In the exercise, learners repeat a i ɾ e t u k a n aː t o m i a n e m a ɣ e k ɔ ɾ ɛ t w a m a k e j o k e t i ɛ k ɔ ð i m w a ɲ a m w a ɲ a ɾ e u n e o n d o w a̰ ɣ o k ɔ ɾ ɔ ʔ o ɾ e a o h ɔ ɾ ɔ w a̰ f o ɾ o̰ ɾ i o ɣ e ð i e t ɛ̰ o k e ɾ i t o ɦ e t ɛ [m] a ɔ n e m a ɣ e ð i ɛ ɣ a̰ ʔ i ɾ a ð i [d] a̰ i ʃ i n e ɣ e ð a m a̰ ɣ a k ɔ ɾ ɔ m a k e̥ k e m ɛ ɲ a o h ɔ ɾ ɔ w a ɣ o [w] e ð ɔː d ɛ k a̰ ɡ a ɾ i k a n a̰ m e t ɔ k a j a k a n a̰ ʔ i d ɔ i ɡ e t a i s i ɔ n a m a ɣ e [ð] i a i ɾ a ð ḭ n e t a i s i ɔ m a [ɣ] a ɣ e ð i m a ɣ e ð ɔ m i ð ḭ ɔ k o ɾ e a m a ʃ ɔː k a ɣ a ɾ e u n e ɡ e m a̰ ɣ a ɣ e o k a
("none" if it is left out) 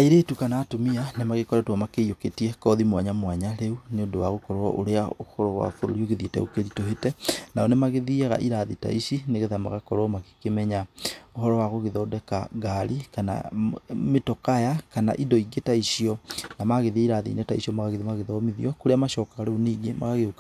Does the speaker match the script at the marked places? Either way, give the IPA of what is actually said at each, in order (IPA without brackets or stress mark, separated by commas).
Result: n, t, ɣ, ð, ɣ